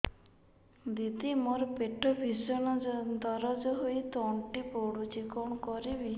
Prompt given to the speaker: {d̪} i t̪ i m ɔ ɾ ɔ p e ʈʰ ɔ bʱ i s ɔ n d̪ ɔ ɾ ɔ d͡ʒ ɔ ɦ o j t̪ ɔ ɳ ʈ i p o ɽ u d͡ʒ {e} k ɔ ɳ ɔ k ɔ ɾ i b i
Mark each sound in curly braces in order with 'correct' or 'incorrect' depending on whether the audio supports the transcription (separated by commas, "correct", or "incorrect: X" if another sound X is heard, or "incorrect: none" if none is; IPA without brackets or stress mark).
correct, incorrect: i